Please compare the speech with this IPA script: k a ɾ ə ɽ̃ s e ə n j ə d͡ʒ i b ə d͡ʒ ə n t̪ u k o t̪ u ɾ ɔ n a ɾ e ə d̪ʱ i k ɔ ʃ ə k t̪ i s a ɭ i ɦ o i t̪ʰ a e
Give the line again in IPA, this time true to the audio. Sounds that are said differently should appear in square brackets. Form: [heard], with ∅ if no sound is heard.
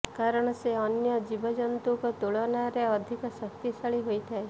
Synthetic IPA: k a ɾ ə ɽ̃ s e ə n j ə d͡ʒ i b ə d͡ʒ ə n t̪ u k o t̪ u [ɭ] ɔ n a ɾ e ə d̪ʱ i k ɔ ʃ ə k t̪ i s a ɭ i ɦ o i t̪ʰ a e